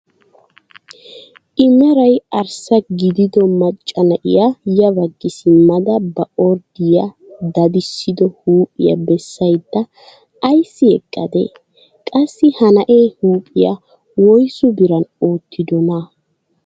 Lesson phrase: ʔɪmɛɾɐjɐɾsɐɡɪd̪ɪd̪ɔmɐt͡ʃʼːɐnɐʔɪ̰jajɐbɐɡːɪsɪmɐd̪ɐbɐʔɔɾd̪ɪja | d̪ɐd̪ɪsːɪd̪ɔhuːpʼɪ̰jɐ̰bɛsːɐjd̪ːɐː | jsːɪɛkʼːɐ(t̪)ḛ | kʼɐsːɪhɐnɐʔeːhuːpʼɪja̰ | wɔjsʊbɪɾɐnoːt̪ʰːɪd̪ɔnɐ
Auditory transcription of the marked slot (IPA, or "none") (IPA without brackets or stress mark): d̪